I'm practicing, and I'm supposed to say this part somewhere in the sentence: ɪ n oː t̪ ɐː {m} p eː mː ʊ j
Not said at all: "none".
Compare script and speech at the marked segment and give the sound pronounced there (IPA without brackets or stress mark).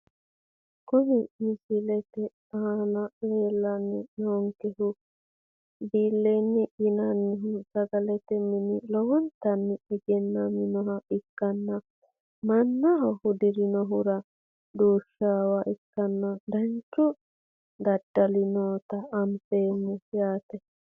m